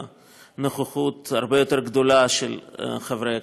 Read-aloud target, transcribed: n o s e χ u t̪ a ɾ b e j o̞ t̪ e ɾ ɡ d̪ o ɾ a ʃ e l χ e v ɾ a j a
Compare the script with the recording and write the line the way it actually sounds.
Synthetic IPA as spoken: n o χ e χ u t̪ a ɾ b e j o̞ t̪ e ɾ ɡ d̪ o l a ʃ e l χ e v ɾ e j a